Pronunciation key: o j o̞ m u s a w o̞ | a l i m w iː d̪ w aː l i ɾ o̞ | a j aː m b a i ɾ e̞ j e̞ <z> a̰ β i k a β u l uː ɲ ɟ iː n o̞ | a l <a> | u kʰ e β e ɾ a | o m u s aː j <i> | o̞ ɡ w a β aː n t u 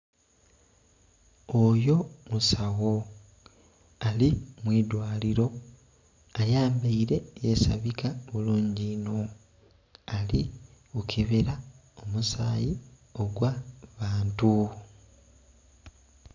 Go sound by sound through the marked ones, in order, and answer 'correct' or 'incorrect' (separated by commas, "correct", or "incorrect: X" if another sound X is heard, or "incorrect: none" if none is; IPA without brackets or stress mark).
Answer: incorrect: s, incorrect: i, correct